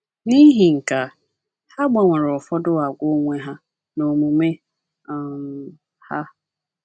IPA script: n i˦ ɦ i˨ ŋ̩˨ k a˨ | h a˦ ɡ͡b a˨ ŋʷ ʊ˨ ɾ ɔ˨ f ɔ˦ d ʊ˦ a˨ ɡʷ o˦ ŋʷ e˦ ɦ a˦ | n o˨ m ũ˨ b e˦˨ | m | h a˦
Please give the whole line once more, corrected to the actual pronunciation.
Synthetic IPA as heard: n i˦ ɦ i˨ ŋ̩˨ k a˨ | h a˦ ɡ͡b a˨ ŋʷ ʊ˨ ɾ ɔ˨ f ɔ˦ d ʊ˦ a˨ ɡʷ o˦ ŋʷ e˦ ɦ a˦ | n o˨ m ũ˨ m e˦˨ | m | h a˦